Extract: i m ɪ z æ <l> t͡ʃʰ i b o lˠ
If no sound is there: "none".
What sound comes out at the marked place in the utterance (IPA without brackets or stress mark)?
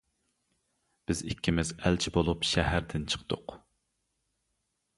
l